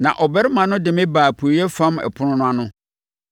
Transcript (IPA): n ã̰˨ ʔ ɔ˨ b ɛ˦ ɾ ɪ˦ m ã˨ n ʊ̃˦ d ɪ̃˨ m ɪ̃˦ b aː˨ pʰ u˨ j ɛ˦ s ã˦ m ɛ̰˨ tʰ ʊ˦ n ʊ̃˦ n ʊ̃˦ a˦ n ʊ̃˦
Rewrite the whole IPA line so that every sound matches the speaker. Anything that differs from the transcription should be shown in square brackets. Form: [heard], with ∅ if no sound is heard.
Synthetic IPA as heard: n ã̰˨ ʔ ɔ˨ b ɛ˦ ɾ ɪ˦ m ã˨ n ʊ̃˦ d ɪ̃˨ m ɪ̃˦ b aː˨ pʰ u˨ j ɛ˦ [f] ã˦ m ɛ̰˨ [pʰ] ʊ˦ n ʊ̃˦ n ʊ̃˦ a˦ n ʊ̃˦